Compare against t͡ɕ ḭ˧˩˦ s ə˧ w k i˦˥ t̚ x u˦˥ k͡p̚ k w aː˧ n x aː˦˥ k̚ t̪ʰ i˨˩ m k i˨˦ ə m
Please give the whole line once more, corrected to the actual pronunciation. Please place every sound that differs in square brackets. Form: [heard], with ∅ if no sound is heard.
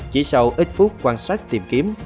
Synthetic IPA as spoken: t͡ɕ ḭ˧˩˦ s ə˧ w [ʔ] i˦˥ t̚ [f] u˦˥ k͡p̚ k w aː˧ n [s] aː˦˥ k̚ [t̪] i˨˩ m k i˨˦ ə m